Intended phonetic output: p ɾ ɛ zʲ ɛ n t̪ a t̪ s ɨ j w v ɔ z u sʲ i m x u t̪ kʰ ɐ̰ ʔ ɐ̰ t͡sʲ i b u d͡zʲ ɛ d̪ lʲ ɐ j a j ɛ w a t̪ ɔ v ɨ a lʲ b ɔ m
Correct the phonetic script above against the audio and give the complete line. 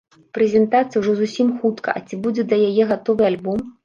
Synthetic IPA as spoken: p ɾ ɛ zʲ ɛ n t̪ a t̪ s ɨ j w ʐ ɔ z u sʲ i m x u t̪ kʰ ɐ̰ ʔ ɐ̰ t͡sʲ i b u d͡zʲ ɛ d̪ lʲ ɐ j a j ɛ ɣ a t̪ ɔ v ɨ a lʲ b ɔ m